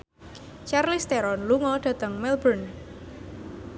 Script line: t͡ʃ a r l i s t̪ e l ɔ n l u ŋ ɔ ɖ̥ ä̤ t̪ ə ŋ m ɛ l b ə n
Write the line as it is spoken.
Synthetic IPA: t͡ʃ a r l i s t̪ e ɾ ɔ n l u ŋ ɔ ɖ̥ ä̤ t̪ ə ŋ m ɛ l b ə n

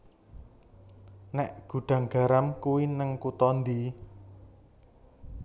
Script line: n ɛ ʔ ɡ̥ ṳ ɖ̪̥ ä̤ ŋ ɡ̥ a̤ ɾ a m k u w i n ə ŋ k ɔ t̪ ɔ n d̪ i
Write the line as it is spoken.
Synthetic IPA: n ɛ ʔ ɡ̥ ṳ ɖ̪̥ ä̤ ŋ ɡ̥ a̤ ɾ a m k u w i n ə ŋ k u t̪ ɔ n d̪ i

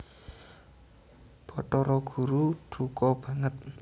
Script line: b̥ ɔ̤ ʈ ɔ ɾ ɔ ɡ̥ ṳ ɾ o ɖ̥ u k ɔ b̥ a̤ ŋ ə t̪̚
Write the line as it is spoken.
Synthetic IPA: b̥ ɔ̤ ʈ ɔ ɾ ɔ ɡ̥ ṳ ɾ u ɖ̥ u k ɔ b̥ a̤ ŋ ə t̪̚

